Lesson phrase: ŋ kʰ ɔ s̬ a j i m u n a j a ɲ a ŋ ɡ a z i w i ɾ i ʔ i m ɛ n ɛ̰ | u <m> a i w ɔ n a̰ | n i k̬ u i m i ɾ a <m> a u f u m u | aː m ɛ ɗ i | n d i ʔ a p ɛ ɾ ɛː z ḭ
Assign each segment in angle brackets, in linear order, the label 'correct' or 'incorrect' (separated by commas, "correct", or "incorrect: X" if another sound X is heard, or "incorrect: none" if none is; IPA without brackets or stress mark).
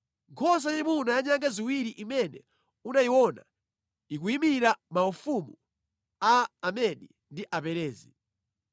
incorrect: n, correct